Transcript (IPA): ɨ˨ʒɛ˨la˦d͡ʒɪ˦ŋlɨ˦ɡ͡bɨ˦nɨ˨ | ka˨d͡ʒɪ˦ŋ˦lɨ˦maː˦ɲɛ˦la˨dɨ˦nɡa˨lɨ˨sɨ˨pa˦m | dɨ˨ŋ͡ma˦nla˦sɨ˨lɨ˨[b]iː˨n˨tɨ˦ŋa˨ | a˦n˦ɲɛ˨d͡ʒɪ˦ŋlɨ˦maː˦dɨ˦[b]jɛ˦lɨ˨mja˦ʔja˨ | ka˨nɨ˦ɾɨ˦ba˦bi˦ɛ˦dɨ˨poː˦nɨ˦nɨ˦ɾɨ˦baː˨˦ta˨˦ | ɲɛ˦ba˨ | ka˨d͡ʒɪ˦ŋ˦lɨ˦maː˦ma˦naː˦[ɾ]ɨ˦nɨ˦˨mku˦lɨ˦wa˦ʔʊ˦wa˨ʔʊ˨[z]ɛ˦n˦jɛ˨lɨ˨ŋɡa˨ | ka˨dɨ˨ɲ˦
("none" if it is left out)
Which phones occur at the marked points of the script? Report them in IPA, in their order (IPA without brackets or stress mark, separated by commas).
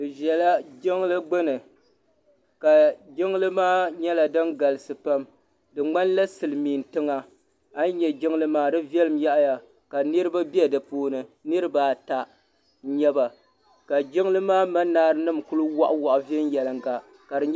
m, v, ɾ, v